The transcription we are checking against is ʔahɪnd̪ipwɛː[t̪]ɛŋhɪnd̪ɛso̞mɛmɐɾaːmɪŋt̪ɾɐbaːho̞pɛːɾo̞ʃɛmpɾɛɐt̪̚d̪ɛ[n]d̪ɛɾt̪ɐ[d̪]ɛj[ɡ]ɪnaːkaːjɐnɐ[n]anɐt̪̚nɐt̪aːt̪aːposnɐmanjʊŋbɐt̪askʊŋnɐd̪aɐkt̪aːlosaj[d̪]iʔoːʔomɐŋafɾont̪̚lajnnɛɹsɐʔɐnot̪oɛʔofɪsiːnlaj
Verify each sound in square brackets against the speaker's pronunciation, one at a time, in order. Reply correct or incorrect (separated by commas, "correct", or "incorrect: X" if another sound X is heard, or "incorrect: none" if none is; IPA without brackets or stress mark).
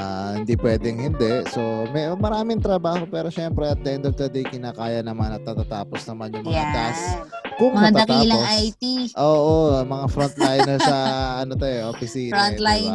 incorrect: d̪, correct, correct, incorrect: k, incorrect: m, incorrect: t̪